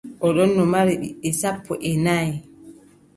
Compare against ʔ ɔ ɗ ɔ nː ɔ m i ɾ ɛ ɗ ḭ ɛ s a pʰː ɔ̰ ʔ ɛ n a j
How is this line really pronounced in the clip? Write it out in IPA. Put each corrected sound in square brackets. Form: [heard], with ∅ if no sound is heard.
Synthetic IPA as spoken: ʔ ɔ ɗ ɔ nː ɔ m [a] ɾ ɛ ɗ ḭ ɛ s a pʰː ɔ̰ ʔ ɛ n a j